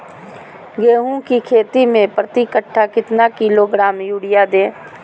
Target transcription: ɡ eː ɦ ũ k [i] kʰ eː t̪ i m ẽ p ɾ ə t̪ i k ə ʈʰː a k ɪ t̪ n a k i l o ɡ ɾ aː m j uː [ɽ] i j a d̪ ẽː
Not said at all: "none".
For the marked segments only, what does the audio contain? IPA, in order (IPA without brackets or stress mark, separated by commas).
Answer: i, ɽ